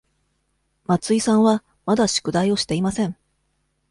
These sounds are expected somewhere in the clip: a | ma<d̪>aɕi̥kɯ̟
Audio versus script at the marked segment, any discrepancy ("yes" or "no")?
no